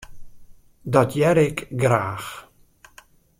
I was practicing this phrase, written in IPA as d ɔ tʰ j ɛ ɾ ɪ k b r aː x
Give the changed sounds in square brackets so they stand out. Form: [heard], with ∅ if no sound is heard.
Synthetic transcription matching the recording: d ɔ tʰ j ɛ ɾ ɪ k [ɡ] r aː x